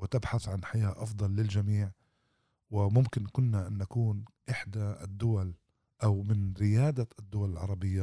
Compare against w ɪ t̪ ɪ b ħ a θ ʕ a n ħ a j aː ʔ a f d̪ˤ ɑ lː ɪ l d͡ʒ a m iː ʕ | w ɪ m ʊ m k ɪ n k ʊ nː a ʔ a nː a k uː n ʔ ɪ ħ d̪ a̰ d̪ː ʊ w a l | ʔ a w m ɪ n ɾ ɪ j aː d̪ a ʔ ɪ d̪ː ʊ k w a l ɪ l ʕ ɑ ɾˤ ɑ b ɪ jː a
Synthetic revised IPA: w ɪ t̪ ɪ b ħ a θ ʕ a n ħ a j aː ʔ ɑ f d̪ˤ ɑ lː ɪ l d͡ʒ a m iː ʕ | w ɪ m ʊ m k ɪ n k ʊ nː a ʔ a nː a k uː n ʔ ɪ ħ d̪ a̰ d̪ː ʊ w a l | ʔ a w m ɪ n ɾ ɪ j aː d̪ a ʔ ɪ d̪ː ʊ w a l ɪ l ʕ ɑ ɾˤ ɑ b ɪ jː a